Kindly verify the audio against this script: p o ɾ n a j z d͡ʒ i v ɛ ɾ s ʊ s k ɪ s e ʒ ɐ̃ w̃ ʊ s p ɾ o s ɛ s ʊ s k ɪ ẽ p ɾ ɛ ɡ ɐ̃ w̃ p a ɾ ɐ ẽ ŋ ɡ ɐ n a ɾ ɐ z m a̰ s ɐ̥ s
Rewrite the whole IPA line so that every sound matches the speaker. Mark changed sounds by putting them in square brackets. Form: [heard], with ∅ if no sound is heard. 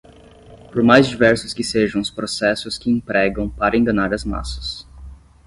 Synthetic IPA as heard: p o ɾ [m] a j z d͡ʒ i v ɛ ɾ s ʊ s k ɪ s e ʒ ɐ̃ w̃ ʊ s p ɾ o s ɛ s ʊ s k ɪ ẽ p ɾ ɛ ɡ ɐ̃ w̃ p a ɾ ɐ ẽ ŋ ɡ ɐ n a ɾ ɐ z m a̰ s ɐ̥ s

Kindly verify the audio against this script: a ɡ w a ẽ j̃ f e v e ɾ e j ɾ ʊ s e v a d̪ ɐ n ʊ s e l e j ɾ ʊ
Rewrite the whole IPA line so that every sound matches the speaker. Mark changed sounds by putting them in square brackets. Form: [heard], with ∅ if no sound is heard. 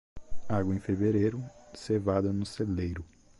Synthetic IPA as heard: a ɡ w [ɐ] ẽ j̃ f e v e ɾ e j ɾ ʊ s e v a d̪ ɐ n ʊ s e l e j ɾ ʊ

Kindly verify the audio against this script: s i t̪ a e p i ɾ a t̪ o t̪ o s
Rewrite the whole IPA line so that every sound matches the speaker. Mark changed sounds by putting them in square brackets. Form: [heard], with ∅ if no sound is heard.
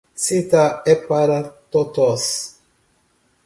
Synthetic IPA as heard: s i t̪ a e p [a] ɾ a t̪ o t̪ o s

